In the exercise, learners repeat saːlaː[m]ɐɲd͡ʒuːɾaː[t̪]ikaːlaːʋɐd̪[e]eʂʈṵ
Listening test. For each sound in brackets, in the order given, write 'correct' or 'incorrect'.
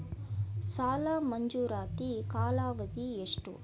correct, correct, incorrect: i

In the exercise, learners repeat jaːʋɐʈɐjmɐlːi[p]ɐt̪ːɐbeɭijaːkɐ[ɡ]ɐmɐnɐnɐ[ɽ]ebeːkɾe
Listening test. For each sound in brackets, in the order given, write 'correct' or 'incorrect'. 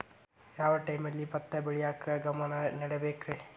correct, correct, correct

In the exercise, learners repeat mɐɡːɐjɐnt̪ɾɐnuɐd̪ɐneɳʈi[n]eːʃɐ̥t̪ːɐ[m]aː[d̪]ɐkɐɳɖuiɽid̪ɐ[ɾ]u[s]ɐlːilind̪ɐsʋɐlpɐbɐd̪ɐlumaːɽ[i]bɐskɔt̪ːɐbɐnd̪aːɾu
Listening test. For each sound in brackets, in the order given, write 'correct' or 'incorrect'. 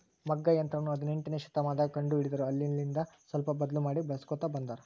correct, correct, correct, correct, incorrect: none, correct

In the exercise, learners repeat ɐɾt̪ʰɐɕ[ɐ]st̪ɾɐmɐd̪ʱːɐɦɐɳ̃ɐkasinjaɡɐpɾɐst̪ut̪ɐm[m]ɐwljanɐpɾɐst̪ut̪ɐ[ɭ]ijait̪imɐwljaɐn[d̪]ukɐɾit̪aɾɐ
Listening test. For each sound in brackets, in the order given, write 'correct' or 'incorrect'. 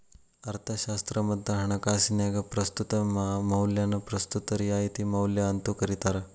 incorrect: a, correct, incorrect: ɾ, incorrect: t̪

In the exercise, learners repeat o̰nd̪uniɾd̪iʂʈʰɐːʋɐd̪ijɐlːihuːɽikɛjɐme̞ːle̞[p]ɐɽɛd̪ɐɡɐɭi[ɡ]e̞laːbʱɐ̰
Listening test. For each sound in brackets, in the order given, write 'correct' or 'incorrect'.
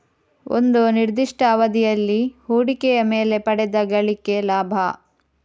correct, incorrect: k

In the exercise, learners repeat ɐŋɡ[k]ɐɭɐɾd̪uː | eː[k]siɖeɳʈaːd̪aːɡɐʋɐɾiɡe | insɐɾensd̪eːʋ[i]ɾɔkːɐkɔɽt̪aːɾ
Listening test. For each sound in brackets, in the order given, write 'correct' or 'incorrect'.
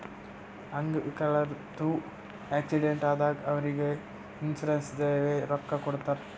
correct, correct, incorrect: e

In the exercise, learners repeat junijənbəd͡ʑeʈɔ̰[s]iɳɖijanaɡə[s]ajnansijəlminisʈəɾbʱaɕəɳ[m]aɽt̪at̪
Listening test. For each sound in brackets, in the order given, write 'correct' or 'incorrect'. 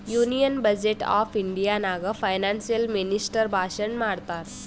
incorrect: f, incorrect: f, correct

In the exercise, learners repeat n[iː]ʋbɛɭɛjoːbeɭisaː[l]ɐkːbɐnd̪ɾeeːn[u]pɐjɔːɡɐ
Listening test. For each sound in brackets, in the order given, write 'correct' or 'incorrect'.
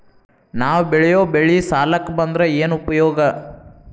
incorrect: aː, correct, correct

